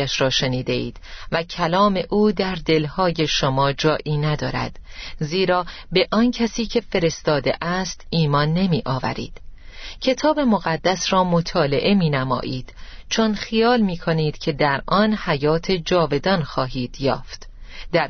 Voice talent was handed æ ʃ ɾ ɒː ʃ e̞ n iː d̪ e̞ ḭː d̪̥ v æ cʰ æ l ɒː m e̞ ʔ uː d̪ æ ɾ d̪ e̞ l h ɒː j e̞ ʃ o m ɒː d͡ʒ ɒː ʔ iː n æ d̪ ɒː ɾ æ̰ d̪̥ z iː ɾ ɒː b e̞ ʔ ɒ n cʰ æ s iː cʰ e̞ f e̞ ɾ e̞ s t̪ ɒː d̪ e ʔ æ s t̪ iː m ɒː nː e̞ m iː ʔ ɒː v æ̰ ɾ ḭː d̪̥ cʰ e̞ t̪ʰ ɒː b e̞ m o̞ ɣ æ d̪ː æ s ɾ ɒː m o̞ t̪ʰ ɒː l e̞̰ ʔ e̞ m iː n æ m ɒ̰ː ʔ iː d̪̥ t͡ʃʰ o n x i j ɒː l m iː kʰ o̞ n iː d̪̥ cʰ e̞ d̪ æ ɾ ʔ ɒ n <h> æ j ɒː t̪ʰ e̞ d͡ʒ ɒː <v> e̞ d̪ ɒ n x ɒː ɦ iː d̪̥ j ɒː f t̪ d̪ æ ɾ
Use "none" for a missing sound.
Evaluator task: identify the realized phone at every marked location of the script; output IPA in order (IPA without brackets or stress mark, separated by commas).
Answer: h, v